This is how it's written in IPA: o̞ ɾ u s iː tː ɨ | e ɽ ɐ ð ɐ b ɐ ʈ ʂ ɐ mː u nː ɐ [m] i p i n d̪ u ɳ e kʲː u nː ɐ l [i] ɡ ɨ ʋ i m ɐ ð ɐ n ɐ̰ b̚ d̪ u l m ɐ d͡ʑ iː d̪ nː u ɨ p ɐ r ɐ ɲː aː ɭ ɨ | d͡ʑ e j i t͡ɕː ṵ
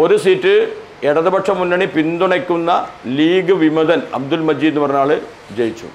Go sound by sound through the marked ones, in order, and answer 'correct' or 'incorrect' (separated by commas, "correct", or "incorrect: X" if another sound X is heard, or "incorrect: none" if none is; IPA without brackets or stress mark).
incorrect: ɳ, incorrect: iː